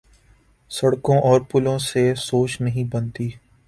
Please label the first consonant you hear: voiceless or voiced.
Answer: voiceless